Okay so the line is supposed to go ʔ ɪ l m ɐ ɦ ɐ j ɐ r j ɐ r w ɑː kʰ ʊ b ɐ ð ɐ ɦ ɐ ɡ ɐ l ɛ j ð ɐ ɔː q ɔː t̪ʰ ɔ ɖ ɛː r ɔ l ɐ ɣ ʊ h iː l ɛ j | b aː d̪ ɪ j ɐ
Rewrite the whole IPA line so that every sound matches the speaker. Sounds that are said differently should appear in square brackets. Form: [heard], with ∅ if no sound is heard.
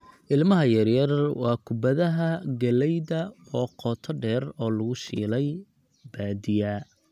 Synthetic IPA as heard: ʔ ɪ l m ɐ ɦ ɐ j ɐ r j ɐ r w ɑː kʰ ʊ b ɐ ð ɐ ɦ ɐ ɡ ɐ l ɛ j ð ɐ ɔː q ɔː t̪ʰ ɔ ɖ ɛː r [ɔː] l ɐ ɣ ʊ [ʃ] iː l ɛ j | b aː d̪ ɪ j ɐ